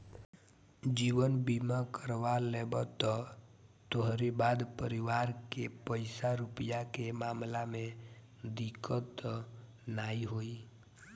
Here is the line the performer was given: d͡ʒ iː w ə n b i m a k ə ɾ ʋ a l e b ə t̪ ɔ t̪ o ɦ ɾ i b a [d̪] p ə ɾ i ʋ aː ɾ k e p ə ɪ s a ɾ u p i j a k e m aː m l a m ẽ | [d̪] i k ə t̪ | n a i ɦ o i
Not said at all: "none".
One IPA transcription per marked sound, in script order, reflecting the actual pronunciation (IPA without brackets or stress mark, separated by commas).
d̪, d̪